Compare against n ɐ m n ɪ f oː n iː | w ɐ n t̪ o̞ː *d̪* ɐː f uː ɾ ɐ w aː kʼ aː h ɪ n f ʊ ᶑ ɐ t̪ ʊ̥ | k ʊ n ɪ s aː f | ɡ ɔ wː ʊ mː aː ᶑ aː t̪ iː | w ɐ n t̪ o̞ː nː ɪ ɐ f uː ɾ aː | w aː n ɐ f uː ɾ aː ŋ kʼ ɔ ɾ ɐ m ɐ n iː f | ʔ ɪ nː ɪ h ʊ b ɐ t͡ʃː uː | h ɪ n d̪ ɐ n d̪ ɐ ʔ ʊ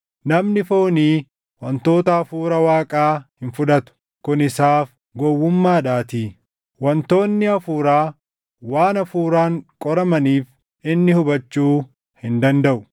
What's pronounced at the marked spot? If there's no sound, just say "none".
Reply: t̪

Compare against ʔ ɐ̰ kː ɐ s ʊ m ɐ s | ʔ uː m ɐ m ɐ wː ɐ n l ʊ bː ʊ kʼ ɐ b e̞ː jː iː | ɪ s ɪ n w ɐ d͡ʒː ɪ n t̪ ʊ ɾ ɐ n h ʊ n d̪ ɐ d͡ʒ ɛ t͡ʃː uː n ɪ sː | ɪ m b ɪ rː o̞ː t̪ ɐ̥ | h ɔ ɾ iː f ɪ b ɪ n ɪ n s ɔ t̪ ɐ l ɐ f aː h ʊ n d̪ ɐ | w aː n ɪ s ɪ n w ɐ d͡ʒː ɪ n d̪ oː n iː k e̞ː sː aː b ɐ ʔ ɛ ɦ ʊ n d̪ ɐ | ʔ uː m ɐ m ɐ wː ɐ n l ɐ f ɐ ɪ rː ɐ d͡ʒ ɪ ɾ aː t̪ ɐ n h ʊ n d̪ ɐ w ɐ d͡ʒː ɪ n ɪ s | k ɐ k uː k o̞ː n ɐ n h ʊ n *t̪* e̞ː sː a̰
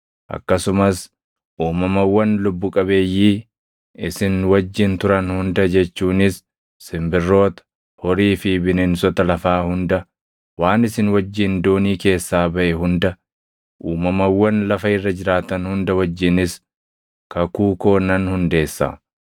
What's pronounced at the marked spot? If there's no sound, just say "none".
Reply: d̪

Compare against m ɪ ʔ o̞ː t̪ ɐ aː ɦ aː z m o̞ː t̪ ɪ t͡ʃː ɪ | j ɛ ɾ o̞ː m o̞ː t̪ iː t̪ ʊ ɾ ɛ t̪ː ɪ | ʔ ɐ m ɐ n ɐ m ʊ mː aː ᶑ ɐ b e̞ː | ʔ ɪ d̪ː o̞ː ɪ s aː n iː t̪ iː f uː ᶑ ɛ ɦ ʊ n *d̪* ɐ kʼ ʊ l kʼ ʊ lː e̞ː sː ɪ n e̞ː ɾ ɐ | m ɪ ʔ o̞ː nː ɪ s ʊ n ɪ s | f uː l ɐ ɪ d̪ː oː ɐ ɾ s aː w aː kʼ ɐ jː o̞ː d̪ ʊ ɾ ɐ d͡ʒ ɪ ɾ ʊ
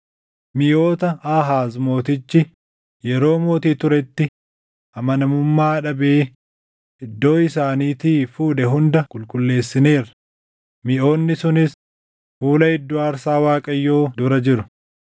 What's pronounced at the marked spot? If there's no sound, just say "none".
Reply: d̪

